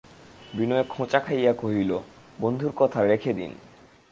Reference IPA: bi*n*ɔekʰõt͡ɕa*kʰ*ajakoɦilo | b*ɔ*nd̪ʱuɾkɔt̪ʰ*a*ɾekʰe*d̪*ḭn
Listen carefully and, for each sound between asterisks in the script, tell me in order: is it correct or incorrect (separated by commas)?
correct, correct, incorrect, correct, correct